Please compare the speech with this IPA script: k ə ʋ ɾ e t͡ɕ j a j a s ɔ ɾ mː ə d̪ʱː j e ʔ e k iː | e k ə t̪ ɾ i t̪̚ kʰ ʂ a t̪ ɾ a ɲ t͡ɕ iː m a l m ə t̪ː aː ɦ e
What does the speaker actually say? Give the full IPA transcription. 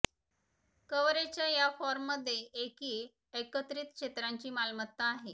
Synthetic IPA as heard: k ə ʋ ɾ e t͡ɕ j a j a f ɔ ɾ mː ə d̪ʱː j e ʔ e k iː | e k ə t̪ ɾ i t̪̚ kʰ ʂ e t̪ ɾ a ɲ t͡ɕ iː m a l m ə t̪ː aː ɦ e